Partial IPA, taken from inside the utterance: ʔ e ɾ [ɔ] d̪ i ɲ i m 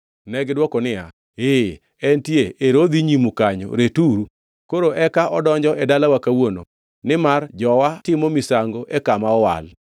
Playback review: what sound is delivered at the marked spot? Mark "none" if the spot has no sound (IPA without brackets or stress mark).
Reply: o